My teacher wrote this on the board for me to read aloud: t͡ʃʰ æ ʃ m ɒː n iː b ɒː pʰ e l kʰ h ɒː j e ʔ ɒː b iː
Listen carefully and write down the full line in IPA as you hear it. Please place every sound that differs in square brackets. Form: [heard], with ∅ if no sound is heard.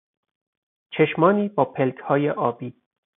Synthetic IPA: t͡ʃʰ [e] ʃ m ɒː n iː b ɒː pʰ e l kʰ h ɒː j e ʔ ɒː b iː